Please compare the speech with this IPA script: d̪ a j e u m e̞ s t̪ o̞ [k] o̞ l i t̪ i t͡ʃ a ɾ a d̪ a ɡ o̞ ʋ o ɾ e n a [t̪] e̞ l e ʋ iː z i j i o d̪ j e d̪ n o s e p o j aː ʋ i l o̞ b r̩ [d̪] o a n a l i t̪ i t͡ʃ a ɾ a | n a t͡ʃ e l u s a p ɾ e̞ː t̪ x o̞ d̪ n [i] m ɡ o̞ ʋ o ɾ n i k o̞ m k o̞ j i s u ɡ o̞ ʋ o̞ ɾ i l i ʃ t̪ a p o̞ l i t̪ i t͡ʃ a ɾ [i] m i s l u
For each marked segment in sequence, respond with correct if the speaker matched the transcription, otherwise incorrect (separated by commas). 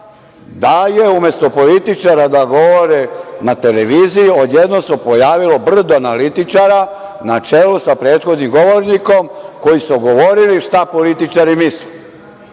incorrect, correct, correct, correct, correct